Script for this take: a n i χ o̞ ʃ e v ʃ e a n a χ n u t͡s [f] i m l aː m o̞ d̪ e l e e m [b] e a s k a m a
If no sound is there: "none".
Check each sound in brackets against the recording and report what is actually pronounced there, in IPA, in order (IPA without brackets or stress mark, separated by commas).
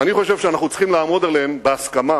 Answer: χ, b